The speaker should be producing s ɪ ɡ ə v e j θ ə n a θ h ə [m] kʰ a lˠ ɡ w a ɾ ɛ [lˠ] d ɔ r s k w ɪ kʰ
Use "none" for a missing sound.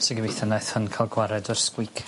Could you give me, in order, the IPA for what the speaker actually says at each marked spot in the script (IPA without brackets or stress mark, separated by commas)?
n, none